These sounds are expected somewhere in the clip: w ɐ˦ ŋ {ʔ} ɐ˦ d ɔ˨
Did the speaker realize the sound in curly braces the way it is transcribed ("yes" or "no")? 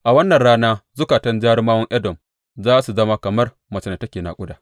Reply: yes